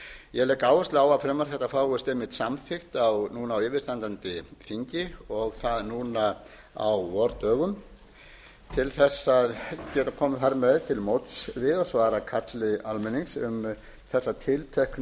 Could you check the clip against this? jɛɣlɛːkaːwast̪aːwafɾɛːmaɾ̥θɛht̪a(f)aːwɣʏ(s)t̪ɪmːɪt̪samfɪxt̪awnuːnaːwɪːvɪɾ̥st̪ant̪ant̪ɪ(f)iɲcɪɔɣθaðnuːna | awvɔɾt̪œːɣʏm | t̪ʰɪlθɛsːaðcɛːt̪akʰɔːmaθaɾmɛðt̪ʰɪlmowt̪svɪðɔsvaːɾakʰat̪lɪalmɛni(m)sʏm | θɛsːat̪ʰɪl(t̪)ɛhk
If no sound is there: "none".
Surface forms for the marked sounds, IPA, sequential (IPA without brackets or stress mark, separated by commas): f, s, f, ŋ, t̪ʰ